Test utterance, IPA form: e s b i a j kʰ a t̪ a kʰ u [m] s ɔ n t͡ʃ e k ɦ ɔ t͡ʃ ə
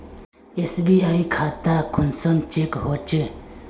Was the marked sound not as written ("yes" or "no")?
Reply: yes